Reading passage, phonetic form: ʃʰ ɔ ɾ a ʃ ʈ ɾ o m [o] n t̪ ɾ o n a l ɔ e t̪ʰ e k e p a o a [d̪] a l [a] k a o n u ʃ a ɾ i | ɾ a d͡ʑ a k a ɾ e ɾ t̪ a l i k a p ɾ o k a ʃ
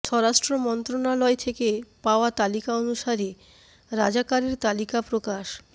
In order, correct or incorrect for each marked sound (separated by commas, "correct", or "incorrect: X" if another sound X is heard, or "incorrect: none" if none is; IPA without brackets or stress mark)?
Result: incorrect: ɔ, incorrect: t̪, incorrect: i